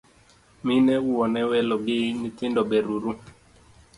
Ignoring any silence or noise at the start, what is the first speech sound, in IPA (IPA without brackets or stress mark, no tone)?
m